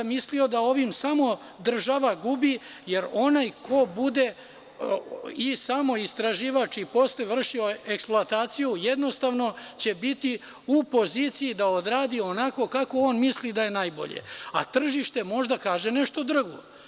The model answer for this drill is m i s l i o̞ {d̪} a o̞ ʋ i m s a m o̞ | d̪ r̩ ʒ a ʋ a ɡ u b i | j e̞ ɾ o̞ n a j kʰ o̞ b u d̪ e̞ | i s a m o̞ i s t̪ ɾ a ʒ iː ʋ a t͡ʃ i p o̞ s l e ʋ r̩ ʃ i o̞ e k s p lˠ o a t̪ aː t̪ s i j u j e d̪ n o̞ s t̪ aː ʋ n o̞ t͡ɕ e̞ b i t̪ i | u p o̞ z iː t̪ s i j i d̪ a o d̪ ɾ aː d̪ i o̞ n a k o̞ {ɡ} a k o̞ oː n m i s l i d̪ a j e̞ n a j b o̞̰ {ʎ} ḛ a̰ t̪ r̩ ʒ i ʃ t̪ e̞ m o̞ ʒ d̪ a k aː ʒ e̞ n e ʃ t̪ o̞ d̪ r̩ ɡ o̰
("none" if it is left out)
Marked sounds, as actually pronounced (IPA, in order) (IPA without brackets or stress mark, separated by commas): d̪, k, ʎ